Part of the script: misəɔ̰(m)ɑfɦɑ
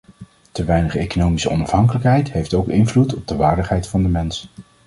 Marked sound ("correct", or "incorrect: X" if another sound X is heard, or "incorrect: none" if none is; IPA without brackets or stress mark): incorrect: n